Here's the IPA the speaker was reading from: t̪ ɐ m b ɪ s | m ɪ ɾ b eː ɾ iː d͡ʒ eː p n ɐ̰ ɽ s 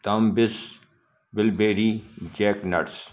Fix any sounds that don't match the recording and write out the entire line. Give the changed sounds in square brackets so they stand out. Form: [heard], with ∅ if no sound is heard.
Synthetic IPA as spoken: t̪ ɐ m b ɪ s | [b] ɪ [l] b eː ɾ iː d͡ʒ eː [k] n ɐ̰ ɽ s